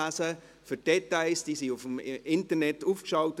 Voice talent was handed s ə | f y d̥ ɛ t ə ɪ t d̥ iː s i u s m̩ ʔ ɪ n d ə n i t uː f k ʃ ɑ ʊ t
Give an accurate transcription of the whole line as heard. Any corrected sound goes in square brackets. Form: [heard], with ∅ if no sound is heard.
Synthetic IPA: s ə | f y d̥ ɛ t [a] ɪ [s] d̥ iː s i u [f] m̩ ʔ ɪ n [t] ə n [ɛ] t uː f k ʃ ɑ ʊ t